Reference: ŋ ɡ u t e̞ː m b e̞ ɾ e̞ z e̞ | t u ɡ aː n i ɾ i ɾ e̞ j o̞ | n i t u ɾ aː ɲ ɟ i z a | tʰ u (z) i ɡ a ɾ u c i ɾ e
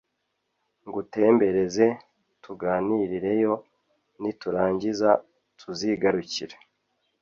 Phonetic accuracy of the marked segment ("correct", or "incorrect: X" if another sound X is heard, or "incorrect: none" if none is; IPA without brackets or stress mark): correct